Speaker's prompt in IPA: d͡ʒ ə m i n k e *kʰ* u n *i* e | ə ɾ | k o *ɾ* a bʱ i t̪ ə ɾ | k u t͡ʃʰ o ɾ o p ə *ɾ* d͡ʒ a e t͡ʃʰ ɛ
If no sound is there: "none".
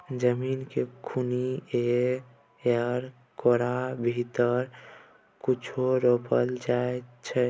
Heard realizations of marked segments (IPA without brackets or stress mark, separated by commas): kʰ, i, ɾ, l